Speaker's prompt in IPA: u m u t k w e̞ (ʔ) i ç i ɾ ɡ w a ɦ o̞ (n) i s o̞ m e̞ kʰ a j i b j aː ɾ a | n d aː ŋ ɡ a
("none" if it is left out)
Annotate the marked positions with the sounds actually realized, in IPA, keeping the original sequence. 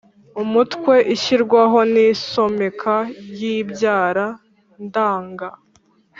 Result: ʔ, n

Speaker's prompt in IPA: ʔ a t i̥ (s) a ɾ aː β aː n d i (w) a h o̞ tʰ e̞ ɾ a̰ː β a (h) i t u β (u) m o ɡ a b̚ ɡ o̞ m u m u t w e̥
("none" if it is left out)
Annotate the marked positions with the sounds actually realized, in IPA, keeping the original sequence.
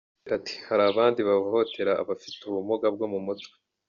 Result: h, β, f, u

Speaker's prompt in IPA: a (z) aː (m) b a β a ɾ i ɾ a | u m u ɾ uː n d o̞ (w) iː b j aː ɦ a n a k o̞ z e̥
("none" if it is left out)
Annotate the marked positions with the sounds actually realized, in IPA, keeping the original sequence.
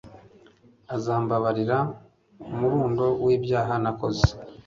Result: z, m, w

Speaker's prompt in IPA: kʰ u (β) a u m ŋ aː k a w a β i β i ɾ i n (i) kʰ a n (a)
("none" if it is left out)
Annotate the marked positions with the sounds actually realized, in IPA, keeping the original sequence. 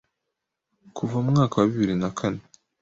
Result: v, a, e

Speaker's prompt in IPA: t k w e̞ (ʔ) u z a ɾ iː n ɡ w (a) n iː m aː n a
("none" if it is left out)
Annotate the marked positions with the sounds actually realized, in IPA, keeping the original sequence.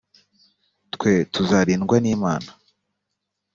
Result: t, a

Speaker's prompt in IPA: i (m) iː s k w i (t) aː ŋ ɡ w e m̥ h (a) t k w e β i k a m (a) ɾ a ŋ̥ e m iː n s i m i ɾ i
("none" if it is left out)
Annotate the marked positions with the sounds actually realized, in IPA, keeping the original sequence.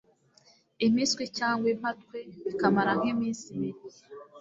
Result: m, c, a, a

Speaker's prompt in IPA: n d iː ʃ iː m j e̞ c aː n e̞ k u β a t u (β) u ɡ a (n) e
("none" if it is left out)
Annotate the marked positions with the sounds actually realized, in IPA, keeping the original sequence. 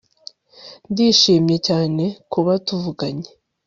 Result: v, ɲ

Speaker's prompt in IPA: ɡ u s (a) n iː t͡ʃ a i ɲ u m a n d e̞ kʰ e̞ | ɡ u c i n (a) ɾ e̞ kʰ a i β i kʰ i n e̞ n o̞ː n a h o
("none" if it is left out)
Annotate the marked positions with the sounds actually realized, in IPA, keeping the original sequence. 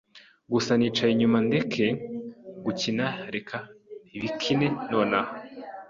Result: a, a

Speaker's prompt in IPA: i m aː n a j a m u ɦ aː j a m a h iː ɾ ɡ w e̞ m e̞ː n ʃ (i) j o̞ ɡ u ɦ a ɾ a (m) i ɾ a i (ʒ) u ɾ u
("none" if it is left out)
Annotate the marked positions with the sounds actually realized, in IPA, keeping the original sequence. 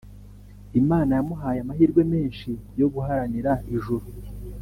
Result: i, n, ʒ

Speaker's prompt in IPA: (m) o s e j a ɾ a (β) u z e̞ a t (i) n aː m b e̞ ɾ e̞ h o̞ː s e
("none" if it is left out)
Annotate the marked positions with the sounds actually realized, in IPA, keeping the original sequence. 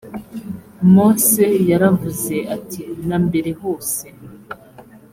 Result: m, v, i

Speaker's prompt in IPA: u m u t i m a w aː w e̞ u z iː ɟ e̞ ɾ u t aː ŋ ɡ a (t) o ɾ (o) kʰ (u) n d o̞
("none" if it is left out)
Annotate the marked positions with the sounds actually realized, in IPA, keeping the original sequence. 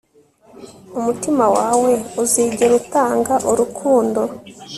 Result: ʔ, u, uː

